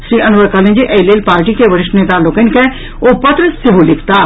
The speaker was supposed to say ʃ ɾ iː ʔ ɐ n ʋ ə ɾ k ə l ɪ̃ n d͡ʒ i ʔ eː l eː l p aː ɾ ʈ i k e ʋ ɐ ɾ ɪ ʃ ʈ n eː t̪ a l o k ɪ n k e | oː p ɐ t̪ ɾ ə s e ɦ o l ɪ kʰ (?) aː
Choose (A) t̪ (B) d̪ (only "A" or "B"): A